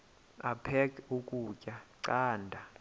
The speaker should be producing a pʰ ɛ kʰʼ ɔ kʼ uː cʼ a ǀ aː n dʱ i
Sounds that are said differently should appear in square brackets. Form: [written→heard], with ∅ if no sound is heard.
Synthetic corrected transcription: a pʰ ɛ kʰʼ [ɔ→u] kʼ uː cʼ a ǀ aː n dʱ [i→a]